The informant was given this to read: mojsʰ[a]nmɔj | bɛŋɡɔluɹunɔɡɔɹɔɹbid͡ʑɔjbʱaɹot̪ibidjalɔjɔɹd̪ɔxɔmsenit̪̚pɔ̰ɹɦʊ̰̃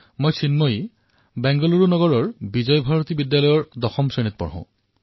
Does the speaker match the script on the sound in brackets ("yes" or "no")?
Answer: no